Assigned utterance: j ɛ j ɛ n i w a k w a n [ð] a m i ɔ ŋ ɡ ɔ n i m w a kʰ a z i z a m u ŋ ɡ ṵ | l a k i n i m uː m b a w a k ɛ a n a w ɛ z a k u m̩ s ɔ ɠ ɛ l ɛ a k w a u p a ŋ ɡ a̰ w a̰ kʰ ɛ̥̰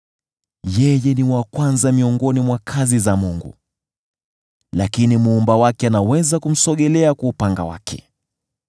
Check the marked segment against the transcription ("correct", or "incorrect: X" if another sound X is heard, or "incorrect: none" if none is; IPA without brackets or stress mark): incorrect: z